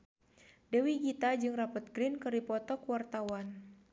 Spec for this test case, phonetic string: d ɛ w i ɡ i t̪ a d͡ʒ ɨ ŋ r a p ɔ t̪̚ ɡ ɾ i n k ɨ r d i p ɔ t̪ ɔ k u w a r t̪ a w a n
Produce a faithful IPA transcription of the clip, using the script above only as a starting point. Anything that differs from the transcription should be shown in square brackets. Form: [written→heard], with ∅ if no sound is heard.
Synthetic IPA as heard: d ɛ w i ɡ i t̪ a d͡ʒ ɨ ŋ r a p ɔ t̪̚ ɡ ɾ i n k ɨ r d i p ɔ t̪ ɔ k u w a r t̪ a w a n